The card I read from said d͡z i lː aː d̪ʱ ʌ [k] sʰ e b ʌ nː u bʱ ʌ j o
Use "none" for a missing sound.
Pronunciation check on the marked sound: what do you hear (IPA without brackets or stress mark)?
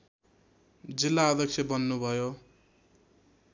k